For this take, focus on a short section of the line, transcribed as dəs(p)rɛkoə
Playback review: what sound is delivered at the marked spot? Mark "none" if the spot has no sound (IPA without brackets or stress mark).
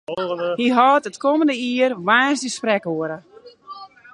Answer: p